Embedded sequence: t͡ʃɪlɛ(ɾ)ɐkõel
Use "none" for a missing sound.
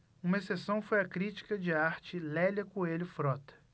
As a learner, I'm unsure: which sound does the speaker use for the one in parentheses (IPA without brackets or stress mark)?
l